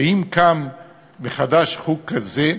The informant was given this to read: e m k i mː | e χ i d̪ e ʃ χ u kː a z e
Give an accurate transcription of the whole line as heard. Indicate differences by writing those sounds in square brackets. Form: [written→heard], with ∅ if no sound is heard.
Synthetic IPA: [e→i] m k [i→a] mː | e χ [i→a] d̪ [e→a] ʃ χ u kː a z e